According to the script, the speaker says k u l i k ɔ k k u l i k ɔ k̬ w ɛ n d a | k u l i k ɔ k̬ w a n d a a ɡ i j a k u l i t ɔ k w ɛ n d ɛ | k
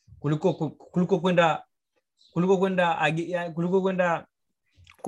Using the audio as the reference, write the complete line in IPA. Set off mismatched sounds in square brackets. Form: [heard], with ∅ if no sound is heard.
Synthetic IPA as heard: k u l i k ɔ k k u l i k ɔ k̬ w ɛ n d a | k u l i k ɔ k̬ w [ɛ] n d a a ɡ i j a k u l i [k] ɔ k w ɛ n d [a] | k